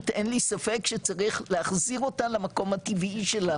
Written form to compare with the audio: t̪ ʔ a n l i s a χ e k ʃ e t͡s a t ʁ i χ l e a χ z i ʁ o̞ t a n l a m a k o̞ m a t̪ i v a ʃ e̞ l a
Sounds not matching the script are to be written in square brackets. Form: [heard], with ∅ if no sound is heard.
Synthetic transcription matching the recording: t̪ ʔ [e] n l i s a [f] e k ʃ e t͡s a [∅] ʁ i χ l e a χ z i ʁ o̞ t a n l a m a k o̞ m a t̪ i v [i] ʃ e̞ l a